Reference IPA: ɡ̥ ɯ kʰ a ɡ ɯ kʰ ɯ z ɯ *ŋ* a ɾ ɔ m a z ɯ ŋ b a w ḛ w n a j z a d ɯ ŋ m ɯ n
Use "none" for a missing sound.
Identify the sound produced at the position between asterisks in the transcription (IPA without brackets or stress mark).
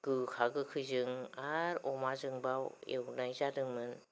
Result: ŋ